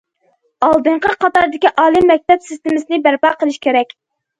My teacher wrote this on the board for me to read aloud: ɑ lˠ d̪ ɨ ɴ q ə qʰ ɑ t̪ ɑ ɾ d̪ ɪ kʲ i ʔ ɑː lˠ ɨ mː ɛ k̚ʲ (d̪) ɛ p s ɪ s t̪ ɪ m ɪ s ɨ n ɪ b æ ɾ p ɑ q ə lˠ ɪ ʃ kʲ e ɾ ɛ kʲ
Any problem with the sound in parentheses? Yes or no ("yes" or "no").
yes